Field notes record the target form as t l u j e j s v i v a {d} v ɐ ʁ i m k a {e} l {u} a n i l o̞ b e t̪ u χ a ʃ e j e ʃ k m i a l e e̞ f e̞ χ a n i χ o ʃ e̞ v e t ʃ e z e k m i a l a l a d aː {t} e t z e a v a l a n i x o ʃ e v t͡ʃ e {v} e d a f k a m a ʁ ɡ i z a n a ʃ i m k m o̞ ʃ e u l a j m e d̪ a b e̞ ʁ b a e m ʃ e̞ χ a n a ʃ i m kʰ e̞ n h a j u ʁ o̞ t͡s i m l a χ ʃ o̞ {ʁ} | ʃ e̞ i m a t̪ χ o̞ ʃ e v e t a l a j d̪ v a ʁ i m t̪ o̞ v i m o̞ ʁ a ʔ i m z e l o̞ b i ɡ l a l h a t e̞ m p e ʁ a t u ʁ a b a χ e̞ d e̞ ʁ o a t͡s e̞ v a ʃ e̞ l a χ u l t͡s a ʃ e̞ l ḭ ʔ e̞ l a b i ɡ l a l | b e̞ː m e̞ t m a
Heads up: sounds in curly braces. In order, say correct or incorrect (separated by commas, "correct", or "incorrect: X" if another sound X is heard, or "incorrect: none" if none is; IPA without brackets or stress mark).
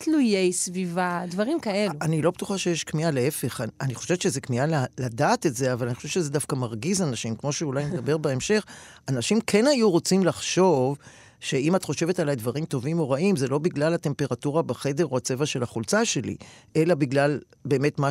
correct, correct, correct, correct, incorrect: z, incorrect: v